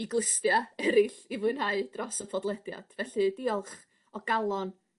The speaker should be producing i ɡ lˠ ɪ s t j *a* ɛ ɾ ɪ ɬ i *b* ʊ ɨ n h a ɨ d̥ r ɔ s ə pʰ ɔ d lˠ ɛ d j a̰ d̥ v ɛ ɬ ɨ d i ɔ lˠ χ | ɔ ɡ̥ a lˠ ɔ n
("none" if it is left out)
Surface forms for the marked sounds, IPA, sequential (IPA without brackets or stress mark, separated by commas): a, v